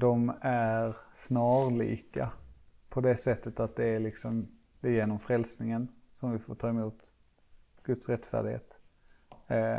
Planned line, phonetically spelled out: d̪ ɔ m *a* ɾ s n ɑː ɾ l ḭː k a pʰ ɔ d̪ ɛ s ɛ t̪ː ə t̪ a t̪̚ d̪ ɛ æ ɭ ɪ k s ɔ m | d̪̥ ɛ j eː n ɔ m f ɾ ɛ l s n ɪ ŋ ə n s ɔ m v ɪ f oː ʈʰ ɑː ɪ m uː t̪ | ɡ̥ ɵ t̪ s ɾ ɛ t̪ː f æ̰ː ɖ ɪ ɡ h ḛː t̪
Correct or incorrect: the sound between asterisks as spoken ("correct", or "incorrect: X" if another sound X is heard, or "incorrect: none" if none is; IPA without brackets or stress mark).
incorrect: æ